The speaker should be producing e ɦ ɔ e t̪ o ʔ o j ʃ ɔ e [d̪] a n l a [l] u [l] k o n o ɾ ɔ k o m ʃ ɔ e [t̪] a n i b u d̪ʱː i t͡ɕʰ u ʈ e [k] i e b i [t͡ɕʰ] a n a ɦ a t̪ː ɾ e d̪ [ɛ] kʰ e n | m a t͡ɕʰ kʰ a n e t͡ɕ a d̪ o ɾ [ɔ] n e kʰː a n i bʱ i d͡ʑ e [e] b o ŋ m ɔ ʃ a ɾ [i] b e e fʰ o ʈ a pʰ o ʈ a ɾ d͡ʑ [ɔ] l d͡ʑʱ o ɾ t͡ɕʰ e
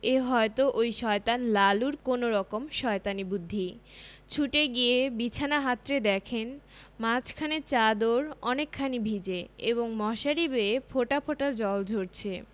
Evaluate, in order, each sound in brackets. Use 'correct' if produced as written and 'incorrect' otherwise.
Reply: incorrect, correct, incorrect, correct, incorrect, correct, correct, correct, correct, correct, correct

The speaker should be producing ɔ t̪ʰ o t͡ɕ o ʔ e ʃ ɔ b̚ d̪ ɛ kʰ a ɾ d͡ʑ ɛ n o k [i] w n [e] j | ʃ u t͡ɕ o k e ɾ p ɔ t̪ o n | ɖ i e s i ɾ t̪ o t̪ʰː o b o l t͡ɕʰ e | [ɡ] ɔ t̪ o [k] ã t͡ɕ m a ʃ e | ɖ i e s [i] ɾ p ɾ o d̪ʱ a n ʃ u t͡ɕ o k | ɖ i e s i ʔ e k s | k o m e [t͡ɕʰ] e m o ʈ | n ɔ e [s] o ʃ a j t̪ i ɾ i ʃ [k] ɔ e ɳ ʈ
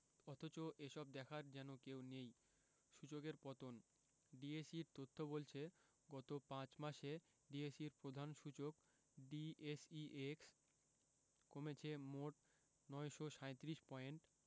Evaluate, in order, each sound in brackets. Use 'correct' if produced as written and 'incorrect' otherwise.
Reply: incorrect, correct, correct, incorrect, correct, correct, incorrect, incorrect

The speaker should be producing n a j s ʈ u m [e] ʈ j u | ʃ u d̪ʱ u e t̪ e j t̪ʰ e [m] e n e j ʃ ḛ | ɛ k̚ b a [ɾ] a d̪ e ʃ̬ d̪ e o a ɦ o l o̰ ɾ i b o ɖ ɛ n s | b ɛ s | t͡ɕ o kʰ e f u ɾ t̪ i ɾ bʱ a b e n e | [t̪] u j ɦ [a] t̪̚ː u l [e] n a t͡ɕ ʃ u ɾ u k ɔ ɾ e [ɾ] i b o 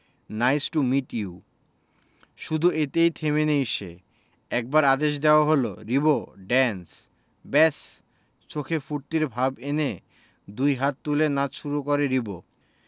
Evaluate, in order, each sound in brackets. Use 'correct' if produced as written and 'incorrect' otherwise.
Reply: incorrect, correct, correct, incorrect, correct, correct, correct

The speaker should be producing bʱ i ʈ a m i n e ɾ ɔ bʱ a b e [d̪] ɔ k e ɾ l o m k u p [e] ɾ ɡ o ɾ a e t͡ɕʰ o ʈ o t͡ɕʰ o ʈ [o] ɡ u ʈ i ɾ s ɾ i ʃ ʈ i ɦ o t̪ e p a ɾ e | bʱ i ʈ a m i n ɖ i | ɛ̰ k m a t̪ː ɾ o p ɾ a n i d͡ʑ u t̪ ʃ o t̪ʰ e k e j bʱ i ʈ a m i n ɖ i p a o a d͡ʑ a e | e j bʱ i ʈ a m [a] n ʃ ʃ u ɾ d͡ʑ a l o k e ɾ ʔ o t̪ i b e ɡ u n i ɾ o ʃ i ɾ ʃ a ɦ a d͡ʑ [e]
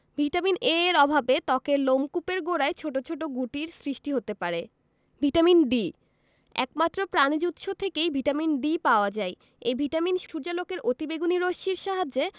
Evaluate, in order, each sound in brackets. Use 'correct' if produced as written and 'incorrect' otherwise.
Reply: incorrect, correct, correct, incorrect, correct

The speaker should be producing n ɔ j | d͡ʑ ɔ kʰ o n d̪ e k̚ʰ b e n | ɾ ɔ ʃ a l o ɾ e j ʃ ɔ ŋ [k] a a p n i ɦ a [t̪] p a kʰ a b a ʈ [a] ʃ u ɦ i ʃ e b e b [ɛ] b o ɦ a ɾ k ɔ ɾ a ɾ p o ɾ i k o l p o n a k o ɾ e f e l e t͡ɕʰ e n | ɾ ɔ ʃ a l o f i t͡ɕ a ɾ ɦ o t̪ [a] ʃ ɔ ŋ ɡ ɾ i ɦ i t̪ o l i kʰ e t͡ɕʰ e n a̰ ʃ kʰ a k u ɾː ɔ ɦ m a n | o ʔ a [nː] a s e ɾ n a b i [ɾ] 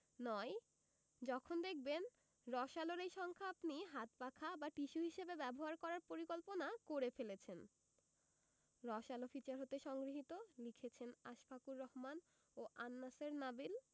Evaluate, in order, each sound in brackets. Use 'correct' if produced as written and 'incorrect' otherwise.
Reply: incorrect, correct, incorrect, correct, incorrect, correct, incorrect

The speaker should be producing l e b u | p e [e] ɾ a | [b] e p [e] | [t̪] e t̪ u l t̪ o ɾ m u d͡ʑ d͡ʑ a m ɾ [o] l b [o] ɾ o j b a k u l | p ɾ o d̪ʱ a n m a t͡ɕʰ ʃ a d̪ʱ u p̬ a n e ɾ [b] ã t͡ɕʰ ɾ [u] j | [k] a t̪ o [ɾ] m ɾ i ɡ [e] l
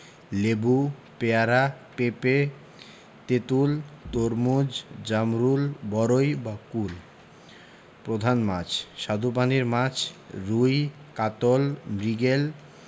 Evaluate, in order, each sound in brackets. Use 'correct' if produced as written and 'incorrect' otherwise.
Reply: incorrect, incorrect, correct, correct, incorrect, incorrect, incorrect, correct, correct, incorrect, correct

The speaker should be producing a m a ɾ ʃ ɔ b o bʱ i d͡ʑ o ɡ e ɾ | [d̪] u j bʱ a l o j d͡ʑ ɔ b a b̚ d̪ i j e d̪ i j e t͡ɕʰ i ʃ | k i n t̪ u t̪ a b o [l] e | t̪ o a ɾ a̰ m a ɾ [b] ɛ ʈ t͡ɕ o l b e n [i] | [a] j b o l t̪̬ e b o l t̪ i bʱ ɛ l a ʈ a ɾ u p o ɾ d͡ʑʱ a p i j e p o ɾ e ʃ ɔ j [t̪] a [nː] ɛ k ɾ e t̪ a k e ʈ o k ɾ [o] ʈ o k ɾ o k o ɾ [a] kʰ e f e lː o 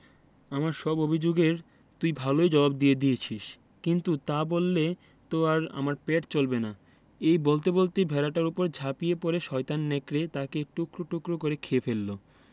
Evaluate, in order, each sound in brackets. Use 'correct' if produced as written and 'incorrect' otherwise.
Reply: incorrect, incorrect, incorrect, incorrect, incorrect, correct, correct, correct, incorrect

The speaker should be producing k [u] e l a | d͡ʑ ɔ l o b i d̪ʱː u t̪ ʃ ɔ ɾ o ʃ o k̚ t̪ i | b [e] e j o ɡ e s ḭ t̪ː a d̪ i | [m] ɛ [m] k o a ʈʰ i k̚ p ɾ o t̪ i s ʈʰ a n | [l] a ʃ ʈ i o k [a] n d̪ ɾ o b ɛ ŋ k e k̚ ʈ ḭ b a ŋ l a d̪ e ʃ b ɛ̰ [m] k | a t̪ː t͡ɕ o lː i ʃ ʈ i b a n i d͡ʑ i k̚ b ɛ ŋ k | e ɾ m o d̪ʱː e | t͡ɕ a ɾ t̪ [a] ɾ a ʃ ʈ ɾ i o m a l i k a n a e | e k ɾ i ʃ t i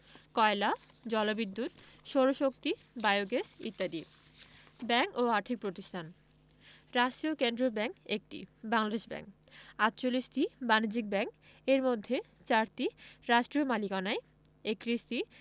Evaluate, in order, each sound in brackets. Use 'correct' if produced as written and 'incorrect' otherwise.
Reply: incorrect, incorrect, incorrect, incorrect, incorrect, incorrect, incorrect, incorrect

